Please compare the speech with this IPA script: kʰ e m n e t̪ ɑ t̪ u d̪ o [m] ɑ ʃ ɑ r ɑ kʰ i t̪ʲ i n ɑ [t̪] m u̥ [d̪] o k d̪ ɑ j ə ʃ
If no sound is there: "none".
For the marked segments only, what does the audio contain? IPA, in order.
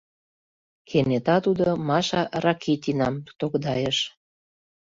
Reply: m, none, t̪

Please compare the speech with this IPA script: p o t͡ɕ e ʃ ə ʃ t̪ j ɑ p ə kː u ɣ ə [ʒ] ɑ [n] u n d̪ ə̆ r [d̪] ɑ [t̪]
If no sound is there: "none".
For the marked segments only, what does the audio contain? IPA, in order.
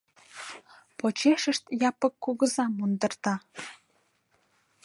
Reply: z, m, t̪, none

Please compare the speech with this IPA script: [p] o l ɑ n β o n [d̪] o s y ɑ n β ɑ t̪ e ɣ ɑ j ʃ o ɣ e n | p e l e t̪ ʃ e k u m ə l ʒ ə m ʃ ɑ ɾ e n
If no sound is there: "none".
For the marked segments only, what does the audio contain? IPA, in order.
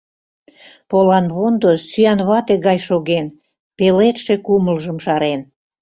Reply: p, d̪

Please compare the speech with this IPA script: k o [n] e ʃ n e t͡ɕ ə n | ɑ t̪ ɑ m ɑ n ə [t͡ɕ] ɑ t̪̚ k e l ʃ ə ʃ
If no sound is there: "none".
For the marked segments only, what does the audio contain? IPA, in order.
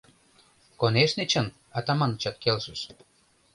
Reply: n, t͡ɕ

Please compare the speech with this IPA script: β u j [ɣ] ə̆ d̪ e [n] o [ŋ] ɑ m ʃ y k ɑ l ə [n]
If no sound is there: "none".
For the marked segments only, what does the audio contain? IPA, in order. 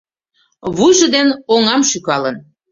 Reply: ʒ, n, ŋ, n

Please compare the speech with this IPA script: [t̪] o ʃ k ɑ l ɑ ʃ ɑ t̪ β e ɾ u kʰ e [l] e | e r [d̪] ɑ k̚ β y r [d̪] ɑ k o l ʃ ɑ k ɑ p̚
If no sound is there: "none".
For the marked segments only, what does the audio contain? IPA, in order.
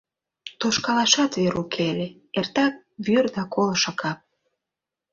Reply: t̪, l, t̪, d̪

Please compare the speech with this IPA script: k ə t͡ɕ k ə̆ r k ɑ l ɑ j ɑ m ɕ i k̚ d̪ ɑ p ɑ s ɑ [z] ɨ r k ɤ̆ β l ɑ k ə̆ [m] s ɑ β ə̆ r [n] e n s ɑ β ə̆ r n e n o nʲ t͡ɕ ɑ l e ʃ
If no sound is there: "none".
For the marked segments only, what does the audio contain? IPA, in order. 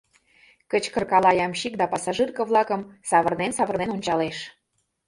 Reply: ʒ, m, n

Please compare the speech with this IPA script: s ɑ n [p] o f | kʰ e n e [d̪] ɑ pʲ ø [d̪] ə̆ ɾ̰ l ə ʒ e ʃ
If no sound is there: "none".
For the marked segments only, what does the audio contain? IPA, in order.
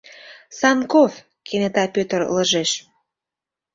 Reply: k, t̪, t̪

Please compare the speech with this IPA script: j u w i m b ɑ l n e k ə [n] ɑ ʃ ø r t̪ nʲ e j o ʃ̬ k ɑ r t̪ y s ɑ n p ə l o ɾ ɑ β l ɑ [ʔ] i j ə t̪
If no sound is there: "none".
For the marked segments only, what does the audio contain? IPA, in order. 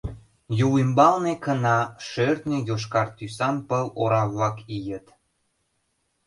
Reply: n, k

